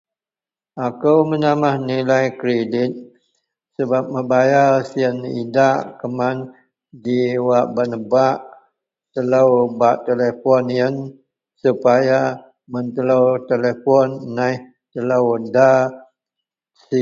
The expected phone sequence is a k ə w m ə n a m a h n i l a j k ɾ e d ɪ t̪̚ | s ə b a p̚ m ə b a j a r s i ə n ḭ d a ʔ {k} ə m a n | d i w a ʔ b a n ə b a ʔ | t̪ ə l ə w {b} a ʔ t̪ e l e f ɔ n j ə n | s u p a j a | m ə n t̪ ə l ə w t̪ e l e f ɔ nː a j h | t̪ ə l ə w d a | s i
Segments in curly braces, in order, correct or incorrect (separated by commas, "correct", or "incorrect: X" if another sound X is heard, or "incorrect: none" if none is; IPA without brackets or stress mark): correct, correct